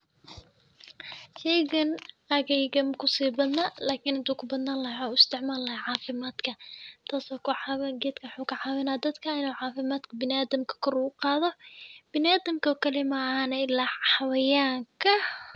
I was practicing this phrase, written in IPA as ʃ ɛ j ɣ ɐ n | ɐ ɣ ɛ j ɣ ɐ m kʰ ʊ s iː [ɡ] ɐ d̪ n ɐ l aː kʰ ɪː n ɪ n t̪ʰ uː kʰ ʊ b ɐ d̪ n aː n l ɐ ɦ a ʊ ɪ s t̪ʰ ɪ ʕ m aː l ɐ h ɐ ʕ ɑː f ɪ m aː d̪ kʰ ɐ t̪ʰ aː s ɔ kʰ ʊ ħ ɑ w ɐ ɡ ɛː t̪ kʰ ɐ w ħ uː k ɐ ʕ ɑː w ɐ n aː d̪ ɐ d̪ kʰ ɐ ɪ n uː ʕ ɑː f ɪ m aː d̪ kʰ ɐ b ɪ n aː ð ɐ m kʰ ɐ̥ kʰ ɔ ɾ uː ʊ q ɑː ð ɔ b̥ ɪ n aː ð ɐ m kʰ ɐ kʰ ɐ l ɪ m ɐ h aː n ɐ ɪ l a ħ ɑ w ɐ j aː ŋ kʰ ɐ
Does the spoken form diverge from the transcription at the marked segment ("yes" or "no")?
yes